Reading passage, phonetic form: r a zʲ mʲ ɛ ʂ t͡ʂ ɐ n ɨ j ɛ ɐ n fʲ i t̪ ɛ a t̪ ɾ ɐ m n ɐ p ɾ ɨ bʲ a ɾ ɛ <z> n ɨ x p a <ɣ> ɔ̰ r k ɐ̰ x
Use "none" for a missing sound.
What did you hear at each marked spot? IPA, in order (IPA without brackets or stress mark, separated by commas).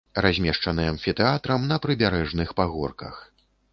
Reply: ʐ, ɣ